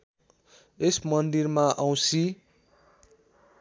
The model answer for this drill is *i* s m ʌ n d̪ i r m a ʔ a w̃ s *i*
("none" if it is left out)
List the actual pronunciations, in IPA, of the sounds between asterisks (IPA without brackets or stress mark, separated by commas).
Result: e, i